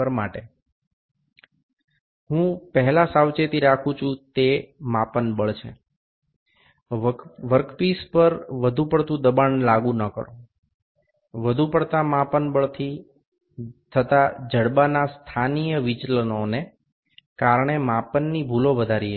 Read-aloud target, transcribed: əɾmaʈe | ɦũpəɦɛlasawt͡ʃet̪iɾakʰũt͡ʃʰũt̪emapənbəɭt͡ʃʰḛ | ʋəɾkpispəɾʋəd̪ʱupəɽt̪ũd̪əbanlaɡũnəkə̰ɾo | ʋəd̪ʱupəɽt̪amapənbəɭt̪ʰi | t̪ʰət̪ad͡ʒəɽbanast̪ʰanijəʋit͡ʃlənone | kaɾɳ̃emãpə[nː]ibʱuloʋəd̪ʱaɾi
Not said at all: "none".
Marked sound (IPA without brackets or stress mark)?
nː